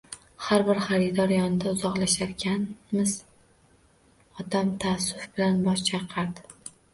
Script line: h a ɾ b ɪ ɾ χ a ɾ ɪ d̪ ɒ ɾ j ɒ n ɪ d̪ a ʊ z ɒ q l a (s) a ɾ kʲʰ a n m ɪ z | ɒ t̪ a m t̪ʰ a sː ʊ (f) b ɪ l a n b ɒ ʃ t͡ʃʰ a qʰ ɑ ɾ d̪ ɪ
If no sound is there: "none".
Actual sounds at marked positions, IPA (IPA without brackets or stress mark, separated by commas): ʃ, f